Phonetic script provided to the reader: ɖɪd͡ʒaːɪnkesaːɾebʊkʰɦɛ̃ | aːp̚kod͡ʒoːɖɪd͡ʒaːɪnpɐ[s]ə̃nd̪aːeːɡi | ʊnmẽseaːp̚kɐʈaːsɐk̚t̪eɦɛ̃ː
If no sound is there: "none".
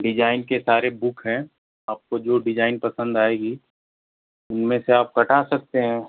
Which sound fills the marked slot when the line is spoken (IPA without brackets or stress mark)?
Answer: s